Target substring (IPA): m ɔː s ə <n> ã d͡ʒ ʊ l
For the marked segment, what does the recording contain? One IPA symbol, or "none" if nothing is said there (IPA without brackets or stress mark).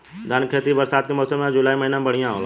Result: m